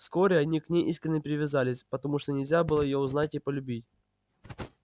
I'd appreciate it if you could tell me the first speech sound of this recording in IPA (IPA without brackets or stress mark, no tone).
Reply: f